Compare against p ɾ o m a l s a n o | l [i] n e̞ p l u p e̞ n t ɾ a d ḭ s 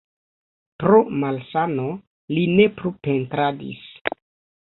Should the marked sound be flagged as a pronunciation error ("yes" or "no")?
no